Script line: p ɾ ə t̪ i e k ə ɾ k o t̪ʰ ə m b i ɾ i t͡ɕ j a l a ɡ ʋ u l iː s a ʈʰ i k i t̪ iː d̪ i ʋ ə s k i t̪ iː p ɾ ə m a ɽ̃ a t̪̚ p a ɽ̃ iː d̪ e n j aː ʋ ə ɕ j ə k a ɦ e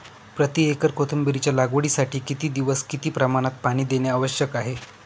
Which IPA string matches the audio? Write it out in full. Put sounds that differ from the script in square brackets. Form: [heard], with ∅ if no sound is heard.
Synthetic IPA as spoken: p ɾ ə t̪ i e k ə ɾ k o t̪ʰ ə m b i ɾ i t͡ɕ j a l a ɡ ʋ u [ɽ] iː s a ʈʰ [iː] k i t̪ iː d̪ i ʋ ə s k i t̪ iː p ɾ ə m a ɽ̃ a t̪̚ p a ɽ̃ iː d̪ e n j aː ʋ ə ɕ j ə k a ɦ e

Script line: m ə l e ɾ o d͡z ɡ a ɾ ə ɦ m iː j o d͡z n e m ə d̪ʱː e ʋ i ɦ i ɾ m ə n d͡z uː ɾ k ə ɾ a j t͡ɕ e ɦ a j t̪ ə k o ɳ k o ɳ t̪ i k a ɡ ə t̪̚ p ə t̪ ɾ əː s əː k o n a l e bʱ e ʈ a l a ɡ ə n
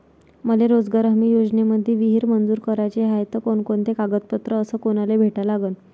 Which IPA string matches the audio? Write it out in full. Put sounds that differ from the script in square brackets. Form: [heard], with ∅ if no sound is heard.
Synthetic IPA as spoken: m ə l e ɾ o d͡z ɡ a ɾ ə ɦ m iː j o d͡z n e m ə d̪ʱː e ʋ i ɦ i ɾ m ə n d͡z uː ɾ k ə ɾ a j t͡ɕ e ɦ a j t̪ ə k o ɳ k o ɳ t̪ [e] k a ɡ ə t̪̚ p ə t̪ ɾ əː s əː k o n a l e bʱ e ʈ a l a ɡ ə n

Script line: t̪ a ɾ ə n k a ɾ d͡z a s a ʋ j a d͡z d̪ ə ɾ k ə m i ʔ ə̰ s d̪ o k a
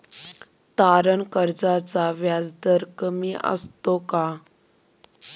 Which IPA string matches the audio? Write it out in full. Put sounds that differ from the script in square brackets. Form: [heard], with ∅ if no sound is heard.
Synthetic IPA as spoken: t̪ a ɾ ə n k [ə] ɾ d͡z a [t͡s] a ʋ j a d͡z d̪ ə ɾ k ə m i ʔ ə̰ s [t̪] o k a

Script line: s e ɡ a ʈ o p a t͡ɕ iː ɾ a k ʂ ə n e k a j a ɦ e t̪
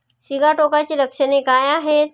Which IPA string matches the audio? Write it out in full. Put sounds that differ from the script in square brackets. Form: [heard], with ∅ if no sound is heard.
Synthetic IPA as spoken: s [i] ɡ a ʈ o [k] a t͡ɕ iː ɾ [ə] k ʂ ə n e k a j a ɦ e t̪

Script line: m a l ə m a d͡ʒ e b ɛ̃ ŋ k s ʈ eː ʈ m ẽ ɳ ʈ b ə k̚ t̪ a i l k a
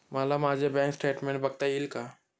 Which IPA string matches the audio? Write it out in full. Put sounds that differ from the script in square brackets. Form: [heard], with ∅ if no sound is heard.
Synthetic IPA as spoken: m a l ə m a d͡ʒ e b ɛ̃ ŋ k s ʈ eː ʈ m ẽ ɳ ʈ b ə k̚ t̪ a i l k a

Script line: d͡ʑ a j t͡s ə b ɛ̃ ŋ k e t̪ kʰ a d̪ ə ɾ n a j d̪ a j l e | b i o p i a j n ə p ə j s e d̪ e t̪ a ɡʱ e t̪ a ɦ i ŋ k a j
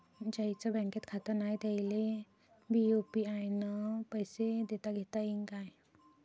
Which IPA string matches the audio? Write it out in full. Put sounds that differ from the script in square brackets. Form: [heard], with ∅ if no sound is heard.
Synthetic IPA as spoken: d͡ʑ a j t͡s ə b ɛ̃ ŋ k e t̪ kʰ a [t̪] ə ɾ n a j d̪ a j l e | b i o p i a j n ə p ə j s e d̪ e t̪ a ɡʱ e t̪ a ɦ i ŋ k a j

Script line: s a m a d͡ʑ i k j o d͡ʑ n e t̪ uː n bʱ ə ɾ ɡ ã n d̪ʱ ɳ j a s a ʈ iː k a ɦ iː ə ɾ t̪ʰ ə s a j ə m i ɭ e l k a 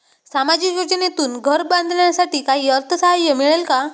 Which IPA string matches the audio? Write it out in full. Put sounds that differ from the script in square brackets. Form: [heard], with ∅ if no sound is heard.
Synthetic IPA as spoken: s a m a d͡ʑ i k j o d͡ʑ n e t̪ uː n [ɡʱ] ə ɾ [b] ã n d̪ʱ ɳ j a s a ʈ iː k a ɦ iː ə ɾ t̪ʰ ə s a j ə m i ɭ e l k a

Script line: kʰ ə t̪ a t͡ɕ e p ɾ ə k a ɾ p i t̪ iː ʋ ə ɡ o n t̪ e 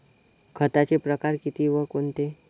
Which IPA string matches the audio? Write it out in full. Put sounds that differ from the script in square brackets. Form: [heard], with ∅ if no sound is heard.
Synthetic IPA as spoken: kʰ ə t̪ a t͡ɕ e p ɾ ə k a ɾ [k] i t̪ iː ʋ ə [k] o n t̪ e

